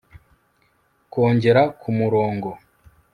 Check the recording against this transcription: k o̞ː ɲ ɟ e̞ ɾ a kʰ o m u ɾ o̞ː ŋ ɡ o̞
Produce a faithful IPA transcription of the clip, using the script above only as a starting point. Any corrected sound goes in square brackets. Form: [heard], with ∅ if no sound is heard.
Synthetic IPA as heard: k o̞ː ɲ ɟ e̞ ɾ a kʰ [u] m u ɾ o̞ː ŋ ɡ o̞